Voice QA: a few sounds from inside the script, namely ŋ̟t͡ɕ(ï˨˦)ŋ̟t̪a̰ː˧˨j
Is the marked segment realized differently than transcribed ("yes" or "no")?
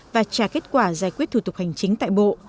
no